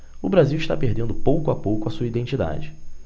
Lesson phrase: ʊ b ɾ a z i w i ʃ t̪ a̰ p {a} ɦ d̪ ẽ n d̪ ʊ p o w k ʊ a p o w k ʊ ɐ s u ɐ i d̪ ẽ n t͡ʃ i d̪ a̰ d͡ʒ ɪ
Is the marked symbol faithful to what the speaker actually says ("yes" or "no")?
no